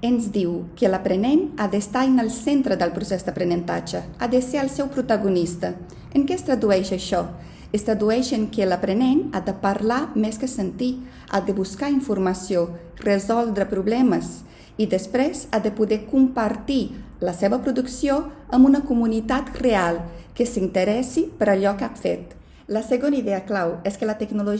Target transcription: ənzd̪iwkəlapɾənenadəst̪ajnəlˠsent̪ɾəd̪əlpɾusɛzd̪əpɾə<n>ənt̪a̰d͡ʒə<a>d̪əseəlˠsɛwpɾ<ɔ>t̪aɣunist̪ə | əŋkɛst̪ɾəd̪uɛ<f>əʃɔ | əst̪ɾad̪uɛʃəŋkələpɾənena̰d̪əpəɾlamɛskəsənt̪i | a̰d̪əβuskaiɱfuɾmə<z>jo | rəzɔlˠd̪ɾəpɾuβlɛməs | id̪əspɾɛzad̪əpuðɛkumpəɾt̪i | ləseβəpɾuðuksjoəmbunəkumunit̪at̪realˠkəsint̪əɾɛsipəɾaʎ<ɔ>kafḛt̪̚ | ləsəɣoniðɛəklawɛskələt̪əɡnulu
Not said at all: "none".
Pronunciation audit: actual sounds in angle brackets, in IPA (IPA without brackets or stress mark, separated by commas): n, a, u, ʃ, s, ɔ